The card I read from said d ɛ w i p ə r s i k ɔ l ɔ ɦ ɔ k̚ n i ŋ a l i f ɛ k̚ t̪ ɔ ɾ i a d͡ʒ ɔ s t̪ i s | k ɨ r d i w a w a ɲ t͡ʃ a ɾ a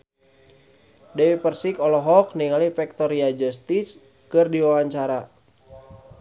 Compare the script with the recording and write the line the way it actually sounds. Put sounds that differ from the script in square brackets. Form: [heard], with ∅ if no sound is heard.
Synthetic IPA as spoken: d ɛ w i p ə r s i k ɔ l ɔ ɦ ɔ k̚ n i ŋ a l i f ɛ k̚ t̪ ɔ ɾ i a d͡ʒ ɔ s t̪ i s | k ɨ r d i w a w a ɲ t͡ʃ a ɾ a